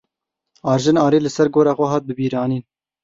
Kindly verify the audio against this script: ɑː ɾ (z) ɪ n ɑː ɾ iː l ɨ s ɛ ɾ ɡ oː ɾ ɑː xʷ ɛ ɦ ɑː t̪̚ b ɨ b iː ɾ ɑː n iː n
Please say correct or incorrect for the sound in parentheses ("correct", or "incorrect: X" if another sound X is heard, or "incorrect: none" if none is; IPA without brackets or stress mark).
incorrect: ʒ